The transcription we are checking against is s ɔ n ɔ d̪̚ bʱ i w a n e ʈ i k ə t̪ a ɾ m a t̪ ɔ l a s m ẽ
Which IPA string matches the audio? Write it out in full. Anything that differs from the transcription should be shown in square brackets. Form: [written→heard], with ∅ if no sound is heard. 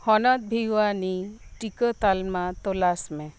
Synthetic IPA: [s→h] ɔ n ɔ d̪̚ bʱ i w a n [e→i] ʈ i k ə t̪ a [ɾ→l] m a t̪ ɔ l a s m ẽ